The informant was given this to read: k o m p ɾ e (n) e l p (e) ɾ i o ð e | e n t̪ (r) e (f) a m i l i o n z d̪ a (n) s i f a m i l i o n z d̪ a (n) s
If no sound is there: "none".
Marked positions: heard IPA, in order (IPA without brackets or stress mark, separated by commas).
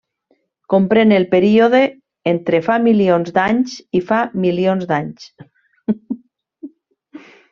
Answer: n, e, ɾ, f, ɲ, ɲ